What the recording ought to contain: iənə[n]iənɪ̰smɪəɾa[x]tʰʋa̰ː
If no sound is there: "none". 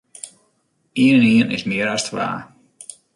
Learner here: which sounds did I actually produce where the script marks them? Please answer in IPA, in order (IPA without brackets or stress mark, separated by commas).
n, s